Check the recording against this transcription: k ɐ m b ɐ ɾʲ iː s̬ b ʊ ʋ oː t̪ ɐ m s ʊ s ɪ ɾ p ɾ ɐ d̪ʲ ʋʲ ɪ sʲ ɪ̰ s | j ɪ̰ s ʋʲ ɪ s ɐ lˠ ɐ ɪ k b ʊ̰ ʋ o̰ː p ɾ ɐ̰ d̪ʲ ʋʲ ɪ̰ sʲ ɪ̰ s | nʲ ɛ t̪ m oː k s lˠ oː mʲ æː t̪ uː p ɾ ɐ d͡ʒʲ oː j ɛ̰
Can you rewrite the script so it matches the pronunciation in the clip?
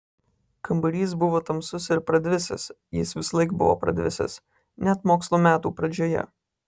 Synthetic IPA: k ɐ m b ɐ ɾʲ iː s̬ b ʊ ʋ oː t̪ ɐ m s ʊ s ɪ ɾ p ɾ ɐ d̪ʲ ʋʲ ɪ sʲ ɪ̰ s | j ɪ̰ s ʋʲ ɪ s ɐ lˠ ɐ ɪ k b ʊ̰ ʋ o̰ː p ɾ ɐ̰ d̪ʲ ʋʲ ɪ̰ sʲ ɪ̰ s | nʲ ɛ t̪ m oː k s lˠ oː mʲ æː t̪ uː p ɾ ɐ d͡ʒʲ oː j ɛ̰